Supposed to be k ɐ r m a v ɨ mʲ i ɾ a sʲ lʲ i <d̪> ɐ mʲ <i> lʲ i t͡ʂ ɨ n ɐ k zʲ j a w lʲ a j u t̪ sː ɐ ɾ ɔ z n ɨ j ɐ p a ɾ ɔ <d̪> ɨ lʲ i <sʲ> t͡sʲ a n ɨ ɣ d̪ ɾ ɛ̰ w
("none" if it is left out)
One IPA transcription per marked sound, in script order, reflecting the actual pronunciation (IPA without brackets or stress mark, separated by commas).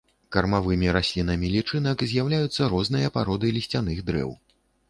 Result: n̪, i, d̪, sʲ